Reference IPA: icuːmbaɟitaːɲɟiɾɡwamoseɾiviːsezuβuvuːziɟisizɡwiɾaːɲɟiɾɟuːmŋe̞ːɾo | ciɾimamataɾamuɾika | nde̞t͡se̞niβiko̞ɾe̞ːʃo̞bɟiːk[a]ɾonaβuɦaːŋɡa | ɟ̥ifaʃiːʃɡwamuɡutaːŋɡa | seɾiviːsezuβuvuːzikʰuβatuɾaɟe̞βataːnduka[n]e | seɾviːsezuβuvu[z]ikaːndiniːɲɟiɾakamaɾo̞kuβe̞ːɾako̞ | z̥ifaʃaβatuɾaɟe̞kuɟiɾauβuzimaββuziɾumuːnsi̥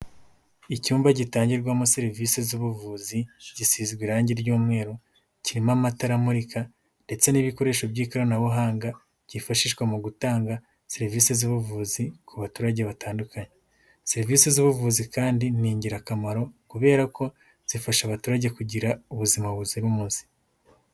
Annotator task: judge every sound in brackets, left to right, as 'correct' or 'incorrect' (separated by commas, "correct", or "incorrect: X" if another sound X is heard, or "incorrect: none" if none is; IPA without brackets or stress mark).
correct, incorrect: ɲ, correct